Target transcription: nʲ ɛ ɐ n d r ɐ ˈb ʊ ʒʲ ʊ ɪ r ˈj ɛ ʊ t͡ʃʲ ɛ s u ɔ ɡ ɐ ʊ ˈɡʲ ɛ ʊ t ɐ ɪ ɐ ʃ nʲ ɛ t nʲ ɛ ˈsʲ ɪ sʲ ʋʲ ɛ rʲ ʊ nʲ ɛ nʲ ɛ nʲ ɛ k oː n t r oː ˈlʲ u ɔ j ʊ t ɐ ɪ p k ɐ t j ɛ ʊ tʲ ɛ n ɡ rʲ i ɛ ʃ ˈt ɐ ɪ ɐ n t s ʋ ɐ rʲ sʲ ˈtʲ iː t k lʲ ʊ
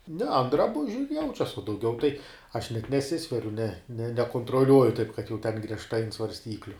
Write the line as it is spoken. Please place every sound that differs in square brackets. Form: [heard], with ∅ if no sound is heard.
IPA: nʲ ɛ ɐ n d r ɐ ˈb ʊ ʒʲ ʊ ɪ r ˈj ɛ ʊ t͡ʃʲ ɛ s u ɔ [d] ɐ ʊ ˈɡʲ ɛ ʊ t ɐ ɪ ɐ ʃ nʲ ɛ t nʲ ɛ ˈsʲ ɪ sʲ ʋʲ ɛ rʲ ʊ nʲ ɛ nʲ ɛ nʲ ɛ k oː n t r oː ˈlʲ u ɔ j ʊ t ɐ ɪ p k ɐ t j ɛ ʊ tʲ ɛ n ɡ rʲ i ɛ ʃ ˈt ɐ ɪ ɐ n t s ʋ ɐ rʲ sʲ ˈtʲ iː [∅] k lʲ ʊ